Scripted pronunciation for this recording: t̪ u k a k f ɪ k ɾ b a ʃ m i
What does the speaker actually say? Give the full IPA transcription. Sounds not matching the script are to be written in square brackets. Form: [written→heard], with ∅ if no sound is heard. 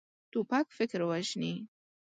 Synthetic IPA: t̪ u [k→p] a k f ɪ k ɾ [b→w] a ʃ [m→n] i